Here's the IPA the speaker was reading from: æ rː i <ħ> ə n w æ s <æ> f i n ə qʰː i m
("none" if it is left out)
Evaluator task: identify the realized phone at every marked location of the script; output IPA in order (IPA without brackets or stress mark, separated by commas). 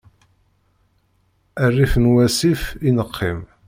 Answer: f, i